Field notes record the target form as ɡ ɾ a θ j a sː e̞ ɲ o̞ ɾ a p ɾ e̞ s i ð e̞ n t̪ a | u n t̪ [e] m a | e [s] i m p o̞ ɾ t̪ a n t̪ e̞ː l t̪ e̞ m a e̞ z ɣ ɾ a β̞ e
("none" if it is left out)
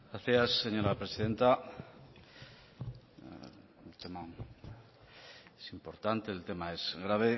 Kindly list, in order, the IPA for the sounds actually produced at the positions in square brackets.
e, s

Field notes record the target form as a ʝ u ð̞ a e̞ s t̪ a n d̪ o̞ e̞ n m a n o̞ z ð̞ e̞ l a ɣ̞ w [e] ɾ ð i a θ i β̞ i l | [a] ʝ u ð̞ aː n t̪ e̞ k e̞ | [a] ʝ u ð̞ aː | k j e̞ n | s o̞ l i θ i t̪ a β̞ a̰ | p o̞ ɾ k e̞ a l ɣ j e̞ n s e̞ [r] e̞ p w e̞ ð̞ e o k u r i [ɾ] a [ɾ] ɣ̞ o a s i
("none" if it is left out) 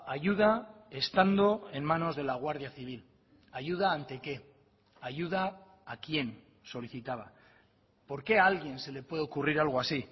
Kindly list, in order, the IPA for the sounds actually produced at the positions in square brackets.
a, a, a, l, ɾ, l

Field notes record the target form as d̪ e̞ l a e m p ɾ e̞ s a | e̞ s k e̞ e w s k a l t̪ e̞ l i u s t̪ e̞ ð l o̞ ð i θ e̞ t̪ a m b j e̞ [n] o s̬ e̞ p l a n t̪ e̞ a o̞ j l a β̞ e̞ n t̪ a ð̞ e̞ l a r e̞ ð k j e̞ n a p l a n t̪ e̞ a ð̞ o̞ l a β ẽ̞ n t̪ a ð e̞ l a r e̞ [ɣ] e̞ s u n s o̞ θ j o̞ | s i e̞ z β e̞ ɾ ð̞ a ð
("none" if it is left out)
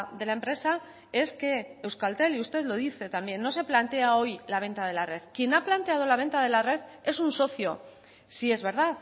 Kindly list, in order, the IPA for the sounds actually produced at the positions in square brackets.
nː, ð

